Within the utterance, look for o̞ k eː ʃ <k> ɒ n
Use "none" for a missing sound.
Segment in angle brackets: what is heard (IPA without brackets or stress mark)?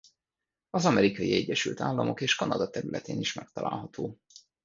k